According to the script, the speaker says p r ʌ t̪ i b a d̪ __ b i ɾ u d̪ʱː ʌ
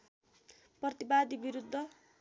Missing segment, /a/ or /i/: i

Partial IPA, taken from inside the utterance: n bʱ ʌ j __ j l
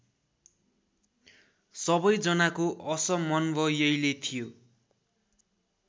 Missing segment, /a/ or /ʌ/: ʌ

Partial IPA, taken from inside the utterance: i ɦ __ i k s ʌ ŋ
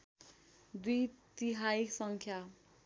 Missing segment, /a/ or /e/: a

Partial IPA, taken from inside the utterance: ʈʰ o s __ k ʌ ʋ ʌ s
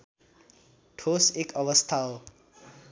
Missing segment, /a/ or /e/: e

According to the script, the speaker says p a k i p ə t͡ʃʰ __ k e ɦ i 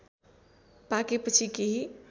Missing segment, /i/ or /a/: i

